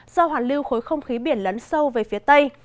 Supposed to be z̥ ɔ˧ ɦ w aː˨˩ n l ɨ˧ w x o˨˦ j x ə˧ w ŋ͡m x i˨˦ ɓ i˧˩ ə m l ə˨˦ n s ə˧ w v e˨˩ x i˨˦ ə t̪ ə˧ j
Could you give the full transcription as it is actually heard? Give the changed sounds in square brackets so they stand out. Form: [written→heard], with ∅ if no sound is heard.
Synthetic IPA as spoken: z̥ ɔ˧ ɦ w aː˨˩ n l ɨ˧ w x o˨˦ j x ə˧ w ŋ͡m x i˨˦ ɓ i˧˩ ə [m→n] l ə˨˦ n s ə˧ w v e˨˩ [x→f] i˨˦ ə t̪ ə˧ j